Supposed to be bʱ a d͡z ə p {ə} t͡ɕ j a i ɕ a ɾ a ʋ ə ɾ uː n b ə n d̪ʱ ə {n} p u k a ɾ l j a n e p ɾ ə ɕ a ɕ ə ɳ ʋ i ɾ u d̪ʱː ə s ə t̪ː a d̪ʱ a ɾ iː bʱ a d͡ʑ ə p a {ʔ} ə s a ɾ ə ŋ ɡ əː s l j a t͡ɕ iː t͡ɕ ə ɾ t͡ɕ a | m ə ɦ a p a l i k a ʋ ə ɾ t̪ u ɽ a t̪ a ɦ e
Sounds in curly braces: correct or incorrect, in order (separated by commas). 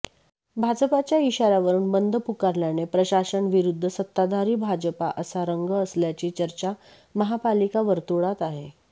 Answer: incorrect, incorrect, correct